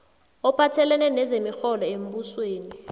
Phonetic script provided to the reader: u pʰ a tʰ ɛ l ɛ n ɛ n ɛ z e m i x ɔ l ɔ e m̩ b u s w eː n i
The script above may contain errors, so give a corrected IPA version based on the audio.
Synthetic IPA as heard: ɔ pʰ a tʰ ɛ l ɛ n ɛ n ɛ z e m i x ɔ l ɔ e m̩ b u s w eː n i

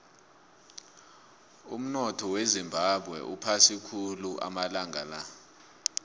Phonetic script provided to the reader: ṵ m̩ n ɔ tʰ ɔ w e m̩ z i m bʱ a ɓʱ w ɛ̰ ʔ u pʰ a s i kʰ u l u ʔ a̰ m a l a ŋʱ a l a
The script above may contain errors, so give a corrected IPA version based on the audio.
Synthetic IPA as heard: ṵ m̩ n ɔ tʰ ɔ w e z i m bʱ a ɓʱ w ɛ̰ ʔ u pʰ a s i kʰ u l u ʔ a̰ m a l a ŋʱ a l a

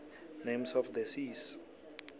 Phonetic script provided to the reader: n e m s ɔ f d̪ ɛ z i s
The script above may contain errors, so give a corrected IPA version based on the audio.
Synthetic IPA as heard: n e m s ɔ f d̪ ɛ s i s

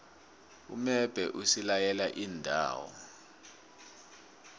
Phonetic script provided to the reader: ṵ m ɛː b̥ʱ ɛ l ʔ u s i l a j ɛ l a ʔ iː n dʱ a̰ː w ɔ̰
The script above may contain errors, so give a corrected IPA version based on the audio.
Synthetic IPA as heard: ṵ m ɛ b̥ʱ ɛ ʔ u s i l a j ɛ l a ʔ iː n dʱ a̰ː w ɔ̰

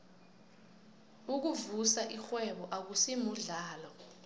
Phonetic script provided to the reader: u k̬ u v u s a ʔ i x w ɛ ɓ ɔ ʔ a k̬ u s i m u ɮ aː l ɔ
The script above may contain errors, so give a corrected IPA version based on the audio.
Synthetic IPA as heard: u k̬ u v u s a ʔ i x w ɛ ɓ ɔ ʔ a k̬ u s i m u ɮ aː l ɔ

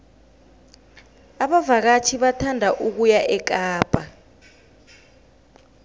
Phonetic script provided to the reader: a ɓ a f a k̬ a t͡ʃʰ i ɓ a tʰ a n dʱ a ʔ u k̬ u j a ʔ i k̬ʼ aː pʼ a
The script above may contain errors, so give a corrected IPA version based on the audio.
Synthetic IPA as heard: a ɓ a v a k̬ a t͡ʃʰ i ɓ a tʰ a n dʱ a ʔ u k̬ u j a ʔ ɛ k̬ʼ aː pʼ a

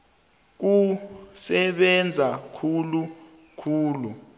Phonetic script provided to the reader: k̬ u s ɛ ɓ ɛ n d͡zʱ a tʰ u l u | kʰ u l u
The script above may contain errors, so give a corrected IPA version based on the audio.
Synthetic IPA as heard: k̬ u s ɛ ɓ ɛ n d͡zʱ a kʰ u l u | kʰ uː l u

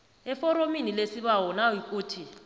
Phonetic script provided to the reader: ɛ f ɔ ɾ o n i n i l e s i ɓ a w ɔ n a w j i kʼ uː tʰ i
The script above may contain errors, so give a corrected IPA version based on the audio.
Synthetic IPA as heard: ɛ f ɔ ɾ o m i n i l e s i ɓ a w ɔ n a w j i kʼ uː tʰ i

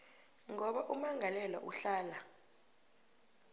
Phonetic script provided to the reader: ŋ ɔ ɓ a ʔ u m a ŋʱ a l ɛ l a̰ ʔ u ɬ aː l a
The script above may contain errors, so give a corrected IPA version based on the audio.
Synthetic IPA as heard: ŋ ɔ ɓ a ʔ u m a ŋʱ a l ɛ l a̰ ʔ u ɬ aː l a

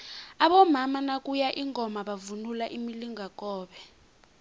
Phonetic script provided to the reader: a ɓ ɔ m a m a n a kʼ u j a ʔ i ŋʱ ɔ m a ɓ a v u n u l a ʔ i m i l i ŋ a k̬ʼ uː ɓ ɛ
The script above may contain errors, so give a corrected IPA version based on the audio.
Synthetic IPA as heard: a ɓ ɔ m a m a n a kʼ u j a ʔ i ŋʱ ɔ m a ɓ a v u n u l a ʔ i m i l i ŋ a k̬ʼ ɔː ɓ ɛ

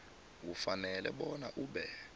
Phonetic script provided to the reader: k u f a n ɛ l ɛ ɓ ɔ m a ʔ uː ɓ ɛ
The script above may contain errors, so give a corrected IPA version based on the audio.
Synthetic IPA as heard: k u f a n ɛ l ɛ ɓ ɔ n a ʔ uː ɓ ɛ

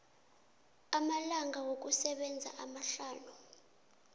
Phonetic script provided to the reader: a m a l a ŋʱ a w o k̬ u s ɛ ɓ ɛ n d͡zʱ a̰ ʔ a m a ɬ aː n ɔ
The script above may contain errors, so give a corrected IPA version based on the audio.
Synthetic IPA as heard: a m a l a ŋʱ a w o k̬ u s ɛ ɓ ɛ n d͡zʱ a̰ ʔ a m a ɬ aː n u

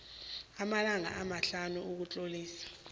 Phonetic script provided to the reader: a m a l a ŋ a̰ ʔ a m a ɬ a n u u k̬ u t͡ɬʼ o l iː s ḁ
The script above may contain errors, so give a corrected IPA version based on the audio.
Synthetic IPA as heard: a m a l a ŋ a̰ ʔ a m a ɬ a n u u k̬ u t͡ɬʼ o l iː s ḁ

